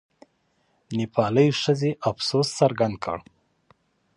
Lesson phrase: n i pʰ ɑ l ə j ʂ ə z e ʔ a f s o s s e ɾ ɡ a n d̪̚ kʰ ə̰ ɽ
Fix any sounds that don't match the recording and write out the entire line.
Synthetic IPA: n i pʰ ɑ l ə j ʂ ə z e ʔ a f s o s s a ɾ ɡ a n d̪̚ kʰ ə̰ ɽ